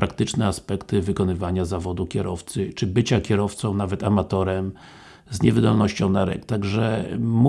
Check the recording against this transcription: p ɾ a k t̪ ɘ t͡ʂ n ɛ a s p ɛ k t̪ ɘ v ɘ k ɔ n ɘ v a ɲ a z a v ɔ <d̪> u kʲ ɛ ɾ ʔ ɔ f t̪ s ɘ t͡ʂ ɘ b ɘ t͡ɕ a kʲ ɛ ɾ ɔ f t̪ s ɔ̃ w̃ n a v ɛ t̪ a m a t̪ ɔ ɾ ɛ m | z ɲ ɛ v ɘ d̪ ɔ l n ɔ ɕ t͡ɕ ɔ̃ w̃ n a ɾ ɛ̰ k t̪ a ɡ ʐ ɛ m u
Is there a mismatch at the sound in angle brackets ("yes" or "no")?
no